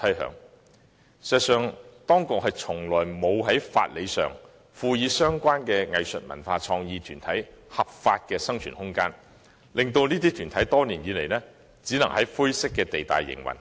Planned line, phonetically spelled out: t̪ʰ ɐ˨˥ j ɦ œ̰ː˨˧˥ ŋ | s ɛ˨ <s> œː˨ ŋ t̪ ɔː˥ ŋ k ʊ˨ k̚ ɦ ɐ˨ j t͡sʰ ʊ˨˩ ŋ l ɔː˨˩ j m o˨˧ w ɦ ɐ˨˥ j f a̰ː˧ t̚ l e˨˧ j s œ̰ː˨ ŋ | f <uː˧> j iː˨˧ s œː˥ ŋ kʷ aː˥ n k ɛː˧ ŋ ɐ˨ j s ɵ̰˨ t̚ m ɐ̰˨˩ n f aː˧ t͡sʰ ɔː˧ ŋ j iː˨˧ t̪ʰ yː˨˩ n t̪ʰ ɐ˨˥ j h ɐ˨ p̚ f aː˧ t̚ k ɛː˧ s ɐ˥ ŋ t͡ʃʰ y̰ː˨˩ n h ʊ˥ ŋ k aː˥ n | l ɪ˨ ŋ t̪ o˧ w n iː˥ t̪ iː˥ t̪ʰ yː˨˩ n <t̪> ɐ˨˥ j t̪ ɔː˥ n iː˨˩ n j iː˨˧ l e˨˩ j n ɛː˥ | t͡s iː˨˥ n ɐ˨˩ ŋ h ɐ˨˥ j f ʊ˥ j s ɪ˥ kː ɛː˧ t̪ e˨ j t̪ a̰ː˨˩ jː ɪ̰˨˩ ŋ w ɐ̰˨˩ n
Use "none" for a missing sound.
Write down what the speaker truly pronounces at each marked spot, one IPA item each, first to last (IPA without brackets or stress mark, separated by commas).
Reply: s, uː˧, t̪ʰ